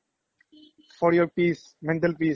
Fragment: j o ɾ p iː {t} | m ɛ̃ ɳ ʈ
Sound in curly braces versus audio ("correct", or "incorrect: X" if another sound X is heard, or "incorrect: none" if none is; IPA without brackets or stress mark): incorrect: s